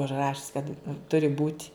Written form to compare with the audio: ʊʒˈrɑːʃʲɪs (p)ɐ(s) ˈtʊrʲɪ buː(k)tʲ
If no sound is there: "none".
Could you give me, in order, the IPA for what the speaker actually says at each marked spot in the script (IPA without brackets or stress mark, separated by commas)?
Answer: k, t, none